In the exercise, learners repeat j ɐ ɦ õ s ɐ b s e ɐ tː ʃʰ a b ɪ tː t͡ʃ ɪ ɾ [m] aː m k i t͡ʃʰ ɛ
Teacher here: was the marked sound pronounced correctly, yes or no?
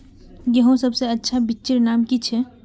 no